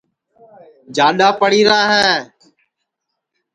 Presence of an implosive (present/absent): present